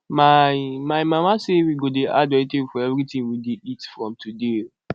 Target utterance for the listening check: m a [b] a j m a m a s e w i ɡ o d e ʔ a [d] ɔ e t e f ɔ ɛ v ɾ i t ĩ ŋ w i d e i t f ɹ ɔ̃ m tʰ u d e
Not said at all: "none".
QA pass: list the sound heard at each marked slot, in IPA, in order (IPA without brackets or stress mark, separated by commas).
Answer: m, d